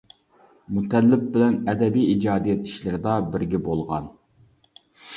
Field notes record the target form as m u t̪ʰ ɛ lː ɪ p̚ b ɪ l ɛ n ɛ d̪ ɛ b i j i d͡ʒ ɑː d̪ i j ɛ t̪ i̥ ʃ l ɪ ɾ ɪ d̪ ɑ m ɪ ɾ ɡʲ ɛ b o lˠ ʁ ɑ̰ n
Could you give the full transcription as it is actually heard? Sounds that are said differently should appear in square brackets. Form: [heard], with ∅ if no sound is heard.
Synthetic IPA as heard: m u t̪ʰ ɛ lː ɪ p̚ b ɪ l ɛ n ɛ d̪ ɛ b i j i d͡ʒ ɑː d̪ i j ɛ t̪ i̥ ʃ l ɪ ɾ ɪ d̪ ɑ [b] ɪ ɾ ɡʲ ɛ b o lˠ ʁ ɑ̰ n